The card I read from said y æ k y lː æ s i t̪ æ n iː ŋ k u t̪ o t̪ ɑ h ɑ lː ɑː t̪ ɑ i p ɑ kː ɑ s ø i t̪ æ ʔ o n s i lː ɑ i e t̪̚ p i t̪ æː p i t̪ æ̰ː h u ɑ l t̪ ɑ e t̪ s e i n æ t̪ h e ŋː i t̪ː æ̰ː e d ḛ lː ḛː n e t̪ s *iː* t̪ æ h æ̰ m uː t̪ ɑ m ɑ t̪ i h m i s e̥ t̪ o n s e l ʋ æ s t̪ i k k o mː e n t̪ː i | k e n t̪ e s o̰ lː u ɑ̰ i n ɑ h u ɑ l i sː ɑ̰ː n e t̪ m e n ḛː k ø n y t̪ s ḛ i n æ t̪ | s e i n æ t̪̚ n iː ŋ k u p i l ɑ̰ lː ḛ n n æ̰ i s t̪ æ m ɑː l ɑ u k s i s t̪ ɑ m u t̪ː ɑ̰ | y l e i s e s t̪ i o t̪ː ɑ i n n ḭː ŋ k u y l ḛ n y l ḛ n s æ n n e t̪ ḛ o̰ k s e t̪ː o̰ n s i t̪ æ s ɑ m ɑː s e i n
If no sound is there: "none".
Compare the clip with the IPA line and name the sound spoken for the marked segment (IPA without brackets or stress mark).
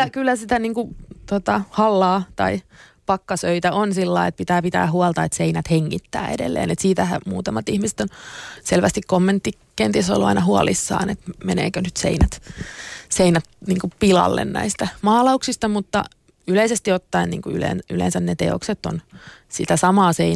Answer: iː